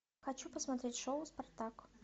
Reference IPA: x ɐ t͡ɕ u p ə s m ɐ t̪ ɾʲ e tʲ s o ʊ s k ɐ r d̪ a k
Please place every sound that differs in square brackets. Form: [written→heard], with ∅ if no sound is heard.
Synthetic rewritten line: x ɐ t͡ɕ u p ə s m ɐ t̪ ɾʲ e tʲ [s→ʂ] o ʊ s [k→p] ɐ r [d̪→t̪] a k